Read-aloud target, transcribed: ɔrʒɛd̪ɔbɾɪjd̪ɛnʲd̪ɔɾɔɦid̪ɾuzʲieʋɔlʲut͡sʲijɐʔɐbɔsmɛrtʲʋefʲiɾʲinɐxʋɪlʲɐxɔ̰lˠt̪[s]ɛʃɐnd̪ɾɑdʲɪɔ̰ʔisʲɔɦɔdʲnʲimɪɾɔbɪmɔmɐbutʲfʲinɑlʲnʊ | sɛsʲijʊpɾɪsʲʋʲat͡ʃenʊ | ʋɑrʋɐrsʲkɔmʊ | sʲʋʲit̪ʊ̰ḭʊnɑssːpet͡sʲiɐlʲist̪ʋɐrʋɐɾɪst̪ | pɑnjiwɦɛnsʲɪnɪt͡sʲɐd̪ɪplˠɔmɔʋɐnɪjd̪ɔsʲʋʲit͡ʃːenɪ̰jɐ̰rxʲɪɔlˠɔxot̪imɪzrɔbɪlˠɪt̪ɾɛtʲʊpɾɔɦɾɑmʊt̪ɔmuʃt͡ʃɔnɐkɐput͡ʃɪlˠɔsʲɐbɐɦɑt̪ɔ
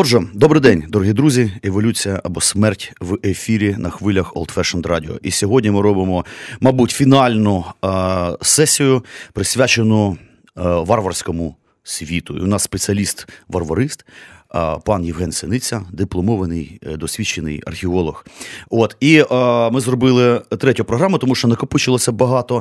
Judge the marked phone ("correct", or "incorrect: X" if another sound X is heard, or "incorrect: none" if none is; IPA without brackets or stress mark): incorrect: f